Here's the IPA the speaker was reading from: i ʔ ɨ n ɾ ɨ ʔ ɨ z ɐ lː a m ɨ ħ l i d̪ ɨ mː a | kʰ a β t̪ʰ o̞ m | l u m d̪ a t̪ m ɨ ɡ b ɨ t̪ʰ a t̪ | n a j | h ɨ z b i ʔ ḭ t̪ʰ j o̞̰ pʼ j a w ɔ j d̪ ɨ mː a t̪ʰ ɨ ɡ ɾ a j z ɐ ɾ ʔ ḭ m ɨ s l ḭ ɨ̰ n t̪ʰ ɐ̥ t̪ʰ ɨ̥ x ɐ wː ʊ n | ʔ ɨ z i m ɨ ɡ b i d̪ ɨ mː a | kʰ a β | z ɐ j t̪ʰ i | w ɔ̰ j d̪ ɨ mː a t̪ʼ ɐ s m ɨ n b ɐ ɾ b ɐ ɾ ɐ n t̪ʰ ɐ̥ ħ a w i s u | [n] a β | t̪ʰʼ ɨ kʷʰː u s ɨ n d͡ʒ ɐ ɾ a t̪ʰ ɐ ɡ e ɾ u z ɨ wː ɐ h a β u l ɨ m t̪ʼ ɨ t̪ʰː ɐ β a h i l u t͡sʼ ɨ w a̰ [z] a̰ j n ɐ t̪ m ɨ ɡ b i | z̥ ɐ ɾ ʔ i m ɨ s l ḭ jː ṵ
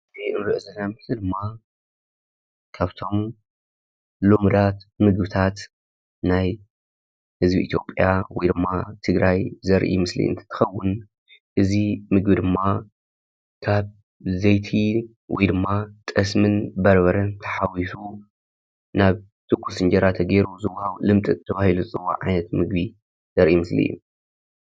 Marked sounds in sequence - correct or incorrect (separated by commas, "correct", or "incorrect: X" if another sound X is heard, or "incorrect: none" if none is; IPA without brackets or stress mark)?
correct, incorrect: ʕ